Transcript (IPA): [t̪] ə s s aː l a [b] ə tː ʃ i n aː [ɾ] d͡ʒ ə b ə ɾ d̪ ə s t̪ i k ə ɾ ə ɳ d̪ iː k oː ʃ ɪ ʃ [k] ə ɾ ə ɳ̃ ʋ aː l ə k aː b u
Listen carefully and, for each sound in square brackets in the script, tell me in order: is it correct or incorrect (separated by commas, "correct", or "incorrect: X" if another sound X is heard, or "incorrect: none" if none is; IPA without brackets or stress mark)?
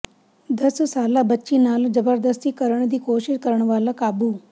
incorrect: d̪, correct, incorrect: l, correct